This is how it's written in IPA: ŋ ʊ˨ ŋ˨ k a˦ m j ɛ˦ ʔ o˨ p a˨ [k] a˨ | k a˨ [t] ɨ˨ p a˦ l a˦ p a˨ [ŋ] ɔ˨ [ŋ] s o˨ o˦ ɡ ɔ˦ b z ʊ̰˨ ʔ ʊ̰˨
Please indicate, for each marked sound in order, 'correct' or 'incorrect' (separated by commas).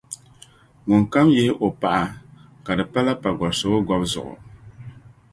incorrect, incorrect, incorrect, incorrect